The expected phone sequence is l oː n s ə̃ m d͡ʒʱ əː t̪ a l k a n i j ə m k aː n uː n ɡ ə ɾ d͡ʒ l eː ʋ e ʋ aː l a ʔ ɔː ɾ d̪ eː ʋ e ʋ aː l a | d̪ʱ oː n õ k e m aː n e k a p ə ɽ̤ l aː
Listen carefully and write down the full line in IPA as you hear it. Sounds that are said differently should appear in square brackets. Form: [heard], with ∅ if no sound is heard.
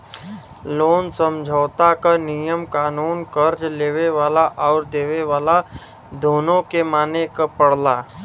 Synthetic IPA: l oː n s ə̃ m d͡ʒʱ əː t̪ a [∅] k a n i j ə m k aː n uː n [k] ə ɾ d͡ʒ l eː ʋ e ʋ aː l a ʔ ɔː ɾ d̪ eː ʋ e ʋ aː l a | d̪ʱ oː n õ k e m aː n e k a p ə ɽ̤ l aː